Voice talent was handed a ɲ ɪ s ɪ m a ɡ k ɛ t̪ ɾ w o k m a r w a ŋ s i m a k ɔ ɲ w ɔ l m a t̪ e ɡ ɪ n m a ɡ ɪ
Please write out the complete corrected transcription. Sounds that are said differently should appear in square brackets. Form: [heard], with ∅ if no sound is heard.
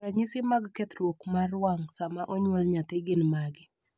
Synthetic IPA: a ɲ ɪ s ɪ m a ɡ k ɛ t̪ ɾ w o k m a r w a ŋ s [a] m a [ʔ] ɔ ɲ w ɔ l [ɲ] a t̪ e ɡ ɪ n m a ɡ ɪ